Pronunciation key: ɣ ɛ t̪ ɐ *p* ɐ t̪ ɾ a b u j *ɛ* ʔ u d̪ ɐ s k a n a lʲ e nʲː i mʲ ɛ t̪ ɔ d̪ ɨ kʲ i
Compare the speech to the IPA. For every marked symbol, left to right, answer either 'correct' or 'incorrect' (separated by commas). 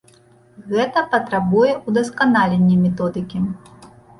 correct, correct